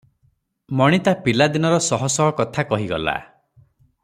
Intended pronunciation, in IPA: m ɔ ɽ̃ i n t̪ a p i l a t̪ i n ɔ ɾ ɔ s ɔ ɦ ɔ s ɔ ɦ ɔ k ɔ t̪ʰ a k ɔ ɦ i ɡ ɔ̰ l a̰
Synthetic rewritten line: m ɔ ɽ̃ i t̪ a p i l a d̪ i n ɔ ɾ ɔ s ɔ ɦ ɔ s ɔ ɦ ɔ k ɔ t̪ʰ a k ɔ ɦ i ɡ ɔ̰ l a̰